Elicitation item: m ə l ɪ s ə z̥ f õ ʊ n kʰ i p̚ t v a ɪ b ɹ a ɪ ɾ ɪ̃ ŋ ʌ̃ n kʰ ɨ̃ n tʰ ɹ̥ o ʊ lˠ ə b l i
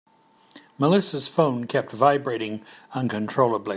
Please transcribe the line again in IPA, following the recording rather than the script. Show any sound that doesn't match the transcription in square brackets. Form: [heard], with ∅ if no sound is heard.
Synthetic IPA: m ə l ɪ s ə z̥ f õ [ʊ̃] n kʰ [ɛ] p̚ t v a ɪ b ɹ [e] ɪ ɾ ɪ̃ ŋ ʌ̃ n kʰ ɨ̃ n tʰ ɹ̥ o ʊ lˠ ə b l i